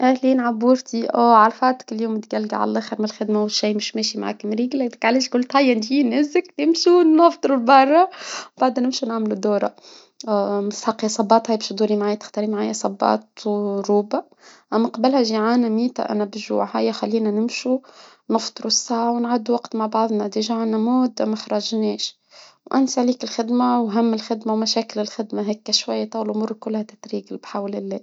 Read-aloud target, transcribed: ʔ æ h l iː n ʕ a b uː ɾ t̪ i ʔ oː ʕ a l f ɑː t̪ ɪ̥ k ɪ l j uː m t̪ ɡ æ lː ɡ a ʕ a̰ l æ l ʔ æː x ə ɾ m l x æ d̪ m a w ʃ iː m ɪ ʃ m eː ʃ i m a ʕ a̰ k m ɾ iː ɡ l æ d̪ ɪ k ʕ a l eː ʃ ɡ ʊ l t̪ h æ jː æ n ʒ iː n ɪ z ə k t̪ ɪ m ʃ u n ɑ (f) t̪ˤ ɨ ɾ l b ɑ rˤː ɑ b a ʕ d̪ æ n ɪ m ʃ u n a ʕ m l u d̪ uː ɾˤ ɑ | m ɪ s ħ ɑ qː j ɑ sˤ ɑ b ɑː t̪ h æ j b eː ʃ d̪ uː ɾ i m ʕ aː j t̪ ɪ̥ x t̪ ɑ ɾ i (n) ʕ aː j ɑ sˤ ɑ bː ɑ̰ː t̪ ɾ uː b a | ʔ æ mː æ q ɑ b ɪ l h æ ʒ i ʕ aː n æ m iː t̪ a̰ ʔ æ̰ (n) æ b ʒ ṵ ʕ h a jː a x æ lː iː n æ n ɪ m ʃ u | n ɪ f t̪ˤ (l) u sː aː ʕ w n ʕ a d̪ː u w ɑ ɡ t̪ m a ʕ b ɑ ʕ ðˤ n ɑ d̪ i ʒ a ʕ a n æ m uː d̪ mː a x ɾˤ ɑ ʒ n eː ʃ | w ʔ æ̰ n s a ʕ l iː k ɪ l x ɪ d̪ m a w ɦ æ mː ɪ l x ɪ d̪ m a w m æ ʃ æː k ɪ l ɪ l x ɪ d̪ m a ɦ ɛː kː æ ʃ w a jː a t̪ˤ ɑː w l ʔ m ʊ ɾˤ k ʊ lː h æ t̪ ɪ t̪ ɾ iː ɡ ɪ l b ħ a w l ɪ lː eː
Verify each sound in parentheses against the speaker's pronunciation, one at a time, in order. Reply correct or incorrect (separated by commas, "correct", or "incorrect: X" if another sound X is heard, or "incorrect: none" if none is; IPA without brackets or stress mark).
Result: correct, incorrect: m, correct, incorrect: ɾ